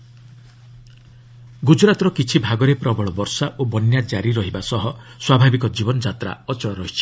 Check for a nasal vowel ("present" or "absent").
absent